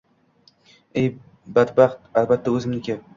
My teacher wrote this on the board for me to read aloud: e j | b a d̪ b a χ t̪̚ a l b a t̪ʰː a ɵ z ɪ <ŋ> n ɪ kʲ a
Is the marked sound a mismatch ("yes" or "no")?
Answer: yes